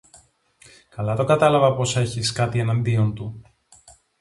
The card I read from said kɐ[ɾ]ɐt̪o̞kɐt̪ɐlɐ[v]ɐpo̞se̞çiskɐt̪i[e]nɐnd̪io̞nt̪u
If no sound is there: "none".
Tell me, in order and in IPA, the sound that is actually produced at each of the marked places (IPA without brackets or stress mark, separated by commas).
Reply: l, v, e